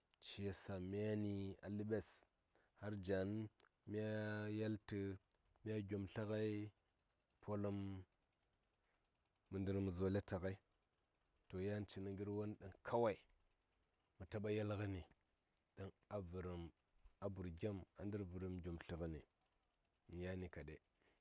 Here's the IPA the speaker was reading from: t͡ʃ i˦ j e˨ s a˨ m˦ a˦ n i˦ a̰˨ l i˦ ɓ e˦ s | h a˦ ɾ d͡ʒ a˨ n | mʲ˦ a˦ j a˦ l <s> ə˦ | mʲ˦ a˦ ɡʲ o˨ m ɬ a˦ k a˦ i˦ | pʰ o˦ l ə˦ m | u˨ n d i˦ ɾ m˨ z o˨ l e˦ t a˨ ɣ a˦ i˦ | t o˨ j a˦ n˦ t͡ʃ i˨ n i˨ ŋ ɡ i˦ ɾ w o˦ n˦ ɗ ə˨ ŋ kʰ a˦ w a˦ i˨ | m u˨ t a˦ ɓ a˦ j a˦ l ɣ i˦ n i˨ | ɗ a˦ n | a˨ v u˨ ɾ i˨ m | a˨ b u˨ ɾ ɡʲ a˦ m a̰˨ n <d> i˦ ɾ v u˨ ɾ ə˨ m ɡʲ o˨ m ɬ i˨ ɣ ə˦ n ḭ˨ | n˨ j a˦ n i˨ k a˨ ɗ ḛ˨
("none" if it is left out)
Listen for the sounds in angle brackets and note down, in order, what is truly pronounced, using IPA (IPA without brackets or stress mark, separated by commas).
t, d